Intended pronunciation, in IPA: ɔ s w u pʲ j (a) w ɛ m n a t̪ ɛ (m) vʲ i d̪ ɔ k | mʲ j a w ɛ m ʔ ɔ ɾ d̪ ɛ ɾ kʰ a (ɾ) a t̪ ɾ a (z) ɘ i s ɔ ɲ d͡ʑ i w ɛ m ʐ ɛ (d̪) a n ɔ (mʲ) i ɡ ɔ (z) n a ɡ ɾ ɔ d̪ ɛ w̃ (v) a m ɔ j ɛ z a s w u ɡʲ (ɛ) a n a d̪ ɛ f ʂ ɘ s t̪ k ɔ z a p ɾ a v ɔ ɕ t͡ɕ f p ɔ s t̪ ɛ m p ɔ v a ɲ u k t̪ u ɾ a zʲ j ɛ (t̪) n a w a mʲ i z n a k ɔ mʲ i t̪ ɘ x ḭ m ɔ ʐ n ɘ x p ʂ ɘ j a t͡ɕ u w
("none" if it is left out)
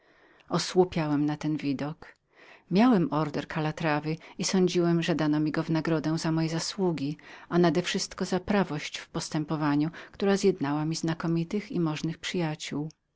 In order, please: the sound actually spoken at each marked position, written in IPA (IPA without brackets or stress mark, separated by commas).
a, n, l, v, d̪, mʲ, v, z, i, d̪